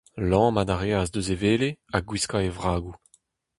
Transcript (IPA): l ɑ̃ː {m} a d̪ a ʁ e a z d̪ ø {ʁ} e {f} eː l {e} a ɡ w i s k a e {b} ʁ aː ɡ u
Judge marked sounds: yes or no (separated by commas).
yes, no, no, yes, no